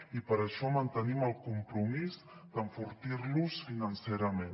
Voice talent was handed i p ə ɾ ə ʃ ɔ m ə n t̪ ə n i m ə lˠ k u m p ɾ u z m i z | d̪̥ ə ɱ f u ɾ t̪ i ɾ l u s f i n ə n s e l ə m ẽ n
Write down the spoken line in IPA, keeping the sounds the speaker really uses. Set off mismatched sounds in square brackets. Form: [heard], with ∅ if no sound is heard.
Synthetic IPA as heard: i p ə ɾ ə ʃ ɔ m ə n t̪ ə n i m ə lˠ k u m p ɾ u [∅] m i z | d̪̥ ə ɱ f u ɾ t̪ i ɾ l u s f i n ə n s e [ɾ] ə m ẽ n